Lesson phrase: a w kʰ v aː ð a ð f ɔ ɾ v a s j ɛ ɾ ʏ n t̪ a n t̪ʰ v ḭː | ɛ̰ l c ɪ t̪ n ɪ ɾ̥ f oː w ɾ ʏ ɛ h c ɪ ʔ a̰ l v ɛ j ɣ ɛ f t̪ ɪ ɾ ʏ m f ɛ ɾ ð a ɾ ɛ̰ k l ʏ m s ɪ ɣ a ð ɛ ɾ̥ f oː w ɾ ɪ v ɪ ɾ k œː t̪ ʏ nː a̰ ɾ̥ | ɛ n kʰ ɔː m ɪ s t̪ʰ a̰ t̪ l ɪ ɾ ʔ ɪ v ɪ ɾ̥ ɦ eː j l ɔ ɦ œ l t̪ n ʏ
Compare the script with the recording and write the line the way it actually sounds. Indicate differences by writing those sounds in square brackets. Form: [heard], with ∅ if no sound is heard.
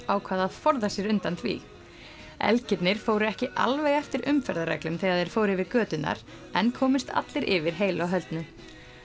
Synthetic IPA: a w kʰ v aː ð a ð f ɔ ɾ [ð] a s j ɛ ɾ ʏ n t̪ a n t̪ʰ v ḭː | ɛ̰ l c ɪ t̪ n ɪ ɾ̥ f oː w ɾ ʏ ɛ h c ɪ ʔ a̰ l v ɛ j ɣ ɛ f t̪ ɪ ɾ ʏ m f ɛ ɾ ð a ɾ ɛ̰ k l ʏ m [θ] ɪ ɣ a ð ɛ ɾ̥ f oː w ɾ ɪ v ɪ ɾ k œː t̪ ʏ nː a̰ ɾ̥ | ɛ n kʰ ɔː m ɪ s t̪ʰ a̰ t̪ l ɪ ɾ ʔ ɪ v ɪ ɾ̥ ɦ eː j l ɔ ɦ œ l t̪ n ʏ